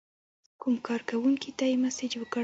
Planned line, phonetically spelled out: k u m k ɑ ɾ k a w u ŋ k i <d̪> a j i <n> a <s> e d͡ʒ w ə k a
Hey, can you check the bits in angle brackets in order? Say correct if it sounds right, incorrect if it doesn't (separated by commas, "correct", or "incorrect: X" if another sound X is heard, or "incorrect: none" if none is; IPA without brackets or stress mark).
incorrect: t̪, incorrect: m, correct